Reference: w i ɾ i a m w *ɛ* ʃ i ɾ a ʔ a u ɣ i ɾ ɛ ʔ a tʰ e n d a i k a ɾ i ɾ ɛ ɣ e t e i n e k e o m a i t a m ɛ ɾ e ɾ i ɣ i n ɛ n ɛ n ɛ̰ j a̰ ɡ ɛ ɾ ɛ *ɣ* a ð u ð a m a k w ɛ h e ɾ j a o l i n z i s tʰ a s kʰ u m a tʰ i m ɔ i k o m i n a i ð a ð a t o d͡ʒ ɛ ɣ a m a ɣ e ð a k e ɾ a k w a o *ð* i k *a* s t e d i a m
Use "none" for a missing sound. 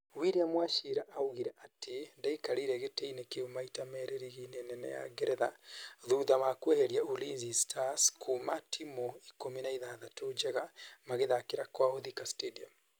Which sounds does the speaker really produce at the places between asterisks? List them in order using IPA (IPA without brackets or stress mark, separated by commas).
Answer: a, ð, ð, a